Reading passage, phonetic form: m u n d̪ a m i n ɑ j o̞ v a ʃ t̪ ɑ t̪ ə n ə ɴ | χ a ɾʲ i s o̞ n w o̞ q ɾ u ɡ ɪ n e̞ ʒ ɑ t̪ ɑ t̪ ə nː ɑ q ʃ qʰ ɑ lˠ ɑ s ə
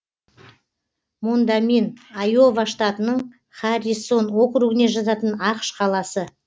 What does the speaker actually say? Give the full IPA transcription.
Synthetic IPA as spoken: m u n d̪ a m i n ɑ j o̞ v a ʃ t̪ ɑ t̪ ə n ə ɴ | χ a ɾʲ i s o̞ n w o̞ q ɾ u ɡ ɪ n e̞ ʒ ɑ t̪ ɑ t̪ ə n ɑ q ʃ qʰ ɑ lˠ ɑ s ə